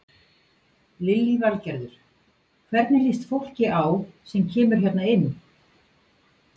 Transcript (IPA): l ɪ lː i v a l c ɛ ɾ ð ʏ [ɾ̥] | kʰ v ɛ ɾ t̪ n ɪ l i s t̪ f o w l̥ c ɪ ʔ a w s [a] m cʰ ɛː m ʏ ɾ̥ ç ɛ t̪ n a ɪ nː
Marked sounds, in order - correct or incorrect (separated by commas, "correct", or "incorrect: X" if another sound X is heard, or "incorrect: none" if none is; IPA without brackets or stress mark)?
correct, incorrect: ɛ